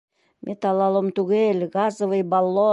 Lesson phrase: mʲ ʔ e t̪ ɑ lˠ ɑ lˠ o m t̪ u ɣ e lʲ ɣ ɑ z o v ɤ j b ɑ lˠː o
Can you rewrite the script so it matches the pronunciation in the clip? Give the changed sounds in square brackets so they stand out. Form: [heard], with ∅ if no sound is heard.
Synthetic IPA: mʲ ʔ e t̪ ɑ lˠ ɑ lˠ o m t̪ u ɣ e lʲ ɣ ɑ z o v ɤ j b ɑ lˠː o